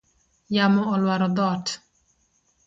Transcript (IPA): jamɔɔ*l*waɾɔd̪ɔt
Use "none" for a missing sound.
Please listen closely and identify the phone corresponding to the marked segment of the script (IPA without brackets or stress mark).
l